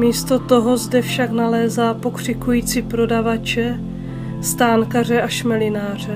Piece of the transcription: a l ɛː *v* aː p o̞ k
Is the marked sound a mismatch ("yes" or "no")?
yes